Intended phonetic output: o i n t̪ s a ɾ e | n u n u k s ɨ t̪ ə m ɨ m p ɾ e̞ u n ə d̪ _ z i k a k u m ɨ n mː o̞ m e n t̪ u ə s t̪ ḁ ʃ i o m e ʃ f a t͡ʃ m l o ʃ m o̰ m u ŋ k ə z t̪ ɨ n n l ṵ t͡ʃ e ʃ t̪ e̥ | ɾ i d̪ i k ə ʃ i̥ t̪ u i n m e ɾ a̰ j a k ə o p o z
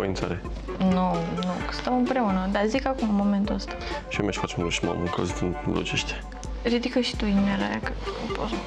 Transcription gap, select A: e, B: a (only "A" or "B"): B